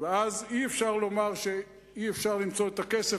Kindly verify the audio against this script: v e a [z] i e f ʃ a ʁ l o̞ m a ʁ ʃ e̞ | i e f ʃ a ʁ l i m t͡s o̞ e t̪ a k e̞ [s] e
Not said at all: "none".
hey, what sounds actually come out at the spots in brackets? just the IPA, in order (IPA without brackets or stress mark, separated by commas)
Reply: z, s